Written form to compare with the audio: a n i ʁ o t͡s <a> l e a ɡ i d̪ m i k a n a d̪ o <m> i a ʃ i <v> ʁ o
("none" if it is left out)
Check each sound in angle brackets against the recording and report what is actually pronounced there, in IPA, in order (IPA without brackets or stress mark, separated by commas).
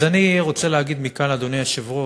e, n, v